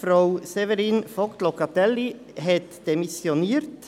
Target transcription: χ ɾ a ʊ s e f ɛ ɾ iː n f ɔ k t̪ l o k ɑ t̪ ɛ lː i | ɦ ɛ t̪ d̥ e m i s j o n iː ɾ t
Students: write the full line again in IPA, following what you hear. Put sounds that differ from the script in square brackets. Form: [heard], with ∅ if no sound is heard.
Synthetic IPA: [f] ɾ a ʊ s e [v] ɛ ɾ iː n f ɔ k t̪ l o k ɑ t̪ ɛ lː i | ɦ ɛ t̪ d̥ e m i s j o n iː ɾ t